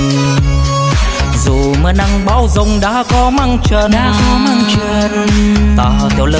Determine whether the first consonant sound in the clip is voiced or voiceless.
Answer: voiced